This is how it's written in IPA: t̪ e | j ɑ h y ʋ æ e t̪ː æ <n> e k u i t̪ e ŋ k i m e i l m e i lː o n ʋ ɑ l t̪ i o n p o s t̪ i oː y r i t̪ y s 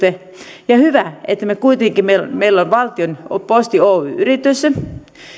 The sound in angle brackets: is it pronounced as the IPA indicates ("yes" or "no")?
no